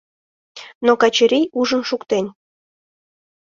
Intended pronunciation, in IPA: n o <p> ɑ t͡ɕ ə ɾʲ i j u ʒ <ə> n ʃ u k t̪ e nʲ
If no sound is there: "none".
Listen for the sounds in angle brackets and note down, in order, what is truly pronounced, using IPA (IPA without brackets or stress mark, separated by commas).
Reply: k, ə